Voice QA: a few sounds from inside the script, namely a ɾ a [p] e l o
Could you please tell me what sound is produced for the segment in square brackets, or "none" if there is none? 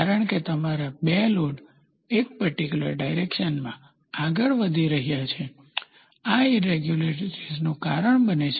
b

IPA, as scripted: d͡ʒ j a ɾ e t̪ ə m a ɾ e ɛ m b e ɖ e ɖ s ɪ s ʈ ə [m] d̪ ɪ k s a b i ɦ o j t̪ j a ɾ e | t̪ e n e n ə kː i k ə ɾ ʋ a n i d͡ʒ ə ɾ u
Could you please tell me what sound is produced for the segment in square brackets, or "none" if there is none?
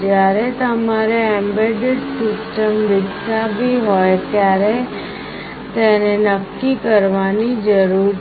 m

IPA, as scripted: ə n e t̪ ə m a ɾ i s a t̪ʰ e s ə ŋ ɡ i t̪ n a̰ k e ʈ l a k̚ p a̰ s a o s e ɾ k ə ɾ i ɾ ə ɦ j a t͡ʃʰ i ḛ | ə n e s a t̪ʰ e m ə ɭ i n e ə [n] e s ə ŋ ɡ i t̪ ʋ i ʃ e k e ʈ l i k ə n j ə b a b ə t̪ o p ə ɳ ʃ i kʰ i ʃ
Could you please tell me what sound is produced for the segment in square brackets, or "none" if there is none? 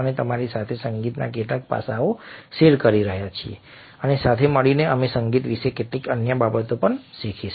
m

